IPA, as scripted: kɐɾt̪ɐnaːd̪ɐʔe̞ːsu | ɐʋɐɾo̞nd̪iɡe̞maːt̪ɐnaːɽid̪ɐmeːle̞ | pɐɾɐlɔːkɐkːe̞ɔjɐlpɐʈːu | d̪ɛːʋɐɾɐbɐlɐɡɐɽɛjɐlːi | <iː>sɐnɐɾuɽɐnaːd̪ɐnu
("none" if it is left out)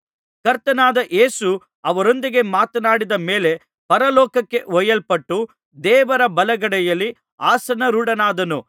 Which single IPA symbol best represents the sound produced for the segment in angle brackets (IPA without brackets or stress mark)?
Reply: aː